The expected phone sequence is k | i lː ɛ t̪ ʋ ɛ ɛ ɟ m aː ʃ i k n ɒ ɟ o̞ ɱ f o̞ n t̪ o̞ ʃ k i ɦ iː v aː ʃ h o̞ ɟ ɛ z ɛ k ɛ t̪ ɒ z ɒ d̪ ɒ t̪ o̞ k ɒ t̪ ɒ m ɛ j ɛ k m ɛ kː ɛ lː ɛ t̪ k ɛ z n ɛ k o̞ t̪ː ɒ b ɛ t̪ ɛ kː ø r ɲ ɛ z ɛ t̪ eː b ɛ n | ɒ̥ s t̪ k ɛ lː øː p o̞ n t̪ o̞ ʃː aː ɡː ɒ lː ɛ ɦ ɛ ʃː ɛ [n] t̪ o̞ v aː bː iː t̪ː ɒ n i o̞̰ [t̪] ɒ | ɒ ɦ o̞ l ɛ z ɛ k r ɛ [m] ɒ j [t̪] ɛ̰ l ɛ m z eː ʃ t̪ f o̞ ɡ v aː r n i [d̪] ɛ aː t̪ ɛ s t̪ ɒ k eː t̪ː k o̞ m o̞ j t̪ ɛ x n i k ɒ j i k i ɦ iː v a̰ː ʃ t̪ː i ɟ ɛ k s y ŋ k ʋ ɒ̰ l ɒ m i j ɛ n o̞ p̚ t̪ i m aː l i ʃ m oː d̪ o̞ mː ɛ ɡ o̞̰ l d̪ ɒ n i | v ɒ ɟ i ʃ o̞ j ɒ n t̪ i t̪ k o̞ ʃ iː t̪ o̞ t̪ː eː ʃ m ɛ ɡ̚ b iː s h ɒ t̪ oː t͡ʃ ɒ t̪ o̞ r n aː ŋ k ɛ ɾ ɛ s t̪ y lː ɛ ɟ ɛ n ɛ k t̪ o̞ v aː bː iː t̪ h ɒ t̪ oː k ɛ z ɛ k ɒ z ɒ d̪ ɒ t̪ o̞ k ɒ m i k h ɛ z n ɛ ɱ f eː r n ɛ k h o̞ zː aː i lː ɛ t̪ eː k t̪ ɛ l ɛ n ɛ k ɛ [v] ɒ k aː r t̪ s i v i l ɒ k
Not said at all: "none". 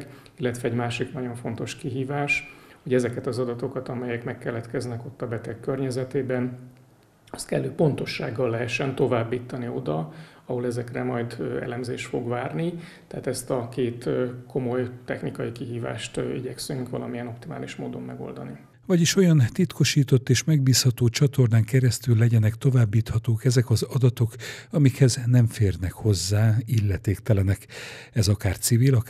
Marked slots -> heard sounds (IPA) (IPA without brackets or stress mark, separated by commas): n, d̪, m, d̪, t̪, z